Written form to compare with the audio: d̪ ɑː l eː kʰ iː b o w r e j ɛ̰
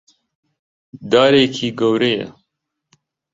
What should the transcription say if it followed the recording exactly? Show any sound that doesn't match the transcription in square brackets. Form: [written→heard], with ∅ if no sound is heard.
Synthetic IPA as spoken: d̪ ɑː [l→ɾ] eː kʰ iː [b→ɡ] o w [r→ɾ] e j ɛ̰